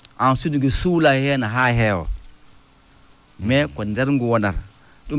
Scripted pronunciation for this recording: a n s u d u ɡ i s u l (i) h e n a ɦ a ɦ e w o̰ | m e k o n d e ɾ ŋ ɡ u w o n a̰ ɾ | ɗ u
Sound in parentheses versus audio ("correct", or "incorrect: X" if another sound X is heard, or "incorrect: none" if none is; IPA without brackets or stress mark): incorrect: a